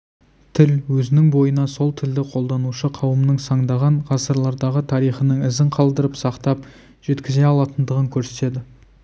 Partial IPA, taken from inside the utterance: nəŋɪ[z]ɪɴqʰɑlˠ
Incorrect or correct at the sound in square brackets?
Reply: correct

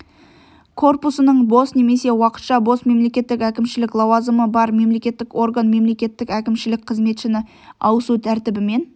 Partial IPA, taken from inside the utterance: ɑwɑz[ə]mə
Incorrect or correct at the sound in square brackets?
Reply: correct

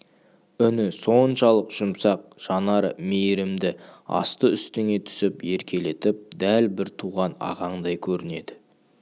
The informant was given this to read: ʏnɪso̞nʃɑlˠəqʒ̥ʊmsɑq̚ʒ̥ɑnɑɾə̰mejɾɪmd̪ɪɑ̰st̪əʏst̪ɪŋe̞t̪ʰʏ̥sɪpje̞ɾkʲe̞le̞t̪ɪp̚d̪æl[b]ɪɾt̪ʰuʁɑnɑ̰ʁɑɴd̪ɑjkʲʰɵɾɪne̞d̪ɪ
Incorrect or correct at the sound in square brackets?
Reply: correct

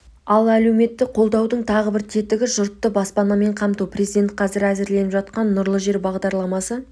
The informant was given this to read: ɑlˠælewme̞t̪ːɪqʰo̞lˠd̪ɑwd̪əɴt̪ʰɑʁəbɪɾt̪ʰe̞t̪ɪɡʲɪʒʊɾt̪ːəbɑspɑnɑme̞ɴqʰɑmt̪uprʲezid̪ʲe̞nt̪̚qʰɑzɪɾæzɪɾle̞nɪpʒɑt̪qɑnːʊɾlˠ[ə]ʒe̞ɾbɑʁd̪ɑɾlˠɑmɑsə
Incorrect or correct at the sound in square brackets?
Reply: correct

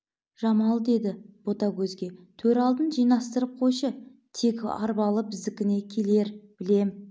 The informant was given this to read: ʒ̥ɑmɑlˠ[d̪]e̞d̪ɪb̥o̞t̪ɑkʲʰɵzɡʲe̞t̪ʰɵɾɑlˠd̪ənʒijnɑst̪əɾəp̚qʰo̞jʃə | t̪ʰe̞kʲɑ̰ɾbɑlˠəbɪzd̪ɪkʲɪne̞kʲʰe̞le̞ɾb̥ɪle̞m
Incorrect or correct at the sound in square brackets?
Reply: correct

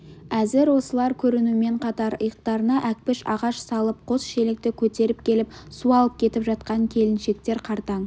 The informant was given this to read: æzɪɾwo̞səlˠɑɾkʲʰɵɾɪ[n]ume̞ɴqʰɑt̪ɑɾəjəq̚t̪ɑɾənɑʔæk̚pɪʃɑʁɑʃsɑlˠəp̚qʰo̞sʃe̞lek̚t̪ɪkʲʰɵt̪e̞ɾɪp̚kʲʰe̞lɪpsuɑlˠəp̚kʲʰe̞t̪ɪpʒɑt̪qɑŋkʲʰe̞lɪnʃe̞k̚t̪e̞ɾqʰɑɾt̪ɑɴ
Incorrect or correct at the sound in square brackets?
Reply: correct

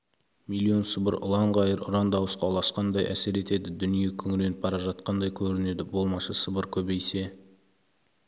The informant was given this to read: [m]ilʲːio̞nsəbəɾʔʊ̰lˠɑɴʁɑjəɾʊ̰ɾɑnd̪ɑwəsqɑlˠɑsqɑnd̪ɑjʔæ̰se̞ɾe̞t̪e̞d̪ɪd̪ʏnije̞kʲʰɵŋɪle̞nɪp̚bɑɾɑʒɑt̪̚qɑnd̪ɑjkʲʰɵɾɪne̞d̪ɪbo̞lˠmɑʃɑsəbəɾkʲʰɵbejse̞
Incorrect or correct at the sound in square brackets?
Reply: correct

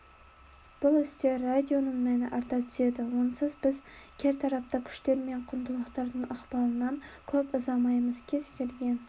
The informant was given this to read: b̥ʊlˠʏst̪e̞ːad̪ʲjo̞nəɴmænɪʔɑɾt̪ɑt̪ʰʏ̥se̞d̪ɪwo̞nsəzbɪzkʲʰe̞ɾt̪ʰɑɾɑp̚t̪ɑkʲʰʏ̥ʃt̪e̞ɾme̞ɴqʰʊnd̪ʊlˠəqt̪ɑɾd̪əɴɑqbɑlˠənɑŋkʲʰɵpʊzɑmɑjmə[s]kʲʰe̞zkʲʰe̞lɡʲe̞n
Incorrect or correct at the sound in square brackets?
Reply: incorrect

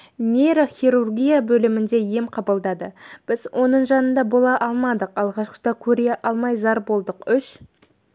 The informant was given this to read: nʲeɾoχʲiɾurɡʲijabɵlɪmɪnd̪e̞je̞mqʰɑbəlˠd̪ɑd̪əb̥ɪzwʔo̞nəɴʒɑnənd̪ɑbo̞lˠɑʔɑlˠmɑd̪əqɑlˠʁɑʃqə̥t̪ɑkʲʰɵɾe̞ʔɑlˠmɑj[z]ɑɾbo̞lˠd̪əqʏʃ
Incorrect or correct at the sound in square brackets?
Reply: correct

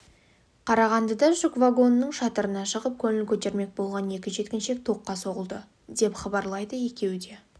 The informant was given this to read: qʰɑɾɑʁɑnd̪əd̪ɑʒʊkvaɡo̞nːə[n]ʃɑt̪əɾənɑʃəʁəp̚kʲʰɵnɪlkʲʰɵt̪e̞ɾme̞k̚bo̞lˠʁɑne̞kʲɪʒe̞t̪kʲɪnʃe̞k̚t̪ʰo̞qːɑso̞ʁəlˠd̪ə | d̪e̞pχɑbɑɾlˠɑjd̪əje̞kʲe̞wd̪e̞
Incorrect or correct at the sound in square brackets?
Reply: incorrect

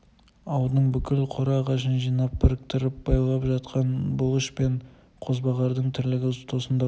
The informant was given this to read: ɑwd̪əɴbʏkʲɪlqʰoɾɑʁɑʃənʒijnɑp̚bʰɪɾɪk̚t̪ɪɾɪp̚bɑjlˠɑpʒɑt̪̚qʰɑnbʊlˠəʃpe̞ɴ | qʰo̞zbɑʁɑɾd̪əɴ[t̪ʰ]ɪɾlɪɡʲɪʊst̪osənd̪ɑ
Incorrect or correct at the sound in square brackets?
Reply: correct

